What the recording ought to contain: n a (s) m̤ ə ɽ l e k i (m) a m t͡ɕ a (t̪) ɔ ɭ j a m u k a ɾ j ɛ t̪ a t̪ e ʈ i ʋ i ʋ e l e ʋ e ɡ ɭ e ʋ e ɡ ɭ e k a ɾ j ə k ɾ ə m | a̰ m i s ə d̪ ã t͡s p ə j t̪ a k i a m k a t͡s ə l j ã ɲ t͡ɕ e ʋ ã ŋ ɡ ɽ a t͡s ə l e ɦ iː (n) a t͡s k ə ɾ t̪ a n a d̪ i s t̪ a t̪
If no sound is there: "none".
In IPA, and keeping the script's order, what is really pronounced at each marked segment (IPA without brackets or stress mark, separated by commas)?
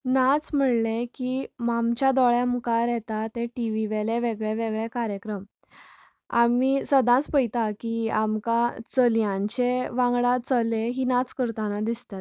t͡s, m, d̪, n